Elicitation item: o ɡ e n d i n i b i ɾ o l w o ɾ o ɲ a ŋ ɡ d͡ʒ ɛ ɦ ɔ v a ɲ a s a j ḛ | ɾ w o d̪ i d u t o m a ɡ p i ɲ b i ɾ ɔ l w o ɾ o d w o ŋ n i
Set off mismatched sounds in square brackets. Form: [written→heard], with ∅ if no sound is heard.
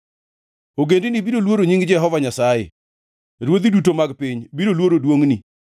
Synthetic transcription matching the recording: o ɡ e n d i n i b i ɾ o l w o ɾ o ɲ [a→i] ŋ ɡ d͡ʒ ɛ ɦ ɔ v a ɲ a s a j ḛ | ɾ w o d̪ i d u t o m a ɡ p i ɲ b i ɾ [ɔ→o] l w o ɾ o d w o ŋ n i